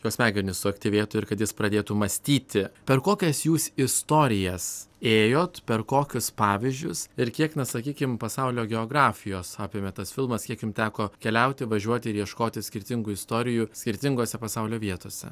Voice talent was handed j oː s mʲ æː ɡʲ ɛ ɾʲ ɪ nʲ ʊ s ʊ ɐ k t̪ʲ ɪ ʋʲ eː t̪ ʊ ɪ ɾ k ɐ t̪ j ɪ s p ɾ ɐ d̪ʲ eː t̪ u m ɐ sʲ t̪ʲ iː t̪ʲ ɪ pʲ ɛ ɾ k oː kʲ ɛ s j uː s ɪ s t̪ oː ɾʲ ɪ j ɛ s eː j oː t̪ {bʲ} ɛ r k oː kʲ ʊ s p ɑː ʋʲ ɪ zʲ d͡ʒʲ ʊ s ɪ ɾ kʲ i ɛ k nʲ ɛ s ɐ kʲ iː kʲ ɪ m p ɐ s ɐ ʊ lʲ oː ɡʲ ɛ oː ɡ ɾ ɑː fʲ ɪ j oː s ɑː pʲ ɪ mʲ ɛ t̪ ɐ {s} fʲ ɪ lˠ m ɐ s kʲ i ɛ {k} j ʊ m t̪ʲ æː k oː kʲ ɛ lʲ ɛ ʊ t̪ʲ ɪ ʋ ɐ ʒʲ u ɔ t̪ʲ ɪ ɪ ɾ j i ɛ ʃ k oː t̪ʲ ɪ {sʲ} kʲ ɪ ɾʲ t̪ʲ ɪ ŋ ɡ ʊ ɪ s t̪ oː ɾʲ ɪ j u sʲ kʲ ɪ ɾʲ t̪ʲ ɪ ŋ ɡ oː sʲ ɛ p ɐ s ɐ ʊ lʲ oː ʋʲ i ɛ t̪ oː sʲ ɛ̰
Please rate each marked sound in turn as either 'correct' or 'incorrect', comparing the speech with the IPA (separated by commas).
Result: incorrect, correct, correct, correct